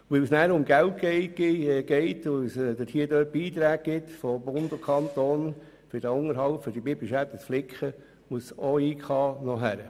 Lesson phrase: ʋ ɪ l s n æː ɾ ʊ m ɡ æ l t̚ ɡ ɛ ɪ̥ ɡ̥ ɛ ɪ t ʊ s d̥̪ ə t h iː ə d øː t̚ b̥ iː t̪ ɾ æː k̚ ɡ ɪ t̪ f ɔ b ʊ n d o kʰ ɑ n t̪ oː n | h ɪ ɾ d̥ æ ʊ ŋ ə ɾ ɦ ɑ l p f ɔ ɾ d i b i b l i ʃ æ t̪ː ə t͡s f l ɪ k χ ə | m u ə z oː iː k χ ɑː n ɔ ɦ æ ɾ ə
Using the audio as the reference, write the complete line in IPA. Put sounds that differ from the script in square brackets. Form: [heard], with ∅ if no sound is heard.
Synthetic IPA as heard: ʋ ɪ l s n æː ɾ ʊ m ɡ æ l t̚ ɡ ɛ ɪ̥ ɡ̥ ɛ ɪ t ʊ s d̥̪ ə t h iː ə d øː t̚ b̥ iː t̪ ɾ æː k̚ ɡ ɪ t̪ f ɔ b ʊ n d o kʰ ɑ n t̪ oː n | [f] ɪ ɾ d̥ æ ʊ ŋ ə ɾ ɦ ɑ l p f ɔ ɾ d i b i b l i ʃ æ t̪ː ə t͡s f l ɪ k χ ə | m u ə [s] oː iː k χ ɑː n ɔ ɦ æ ɾ ə